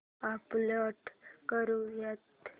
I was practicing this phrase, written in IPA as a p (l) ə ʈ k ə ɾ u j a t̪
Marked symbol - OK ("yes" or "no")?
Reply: yes